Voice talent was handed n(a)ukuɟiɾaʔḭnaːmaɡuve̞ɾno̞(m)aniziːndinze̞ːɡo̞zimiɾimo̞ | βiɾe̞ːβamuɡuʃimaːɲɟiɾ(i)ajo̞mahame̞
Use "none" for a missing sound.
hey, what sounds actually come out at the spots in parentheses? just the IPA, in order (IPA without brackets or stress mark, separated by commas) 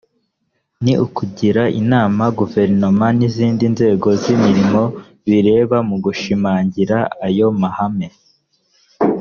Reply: i, m, a